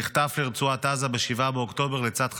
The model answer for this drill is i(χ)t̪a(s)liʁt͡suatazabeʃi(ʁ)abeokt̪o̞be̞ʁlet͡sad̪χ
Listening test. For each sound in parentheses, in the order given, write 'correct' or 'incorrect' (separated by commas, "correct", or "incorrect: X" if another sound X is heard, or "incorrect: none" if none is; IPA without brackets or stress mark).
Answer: correct, incorrect: f, incorrect: v